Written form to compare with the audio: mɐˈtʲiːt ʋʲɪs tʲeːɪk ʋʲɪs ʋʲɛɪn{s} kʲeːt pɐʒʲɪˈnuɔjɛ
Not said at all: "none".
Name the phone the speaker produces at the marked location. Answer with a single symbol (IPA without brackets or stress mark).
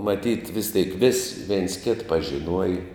s